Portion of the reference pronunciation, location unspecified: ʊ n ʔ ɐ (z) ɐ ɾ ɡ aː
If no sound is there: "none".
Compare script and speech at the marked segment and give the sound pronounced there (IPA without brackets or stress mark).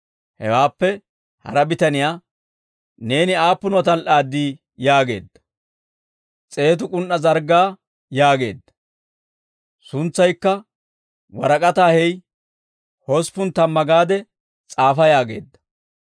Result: z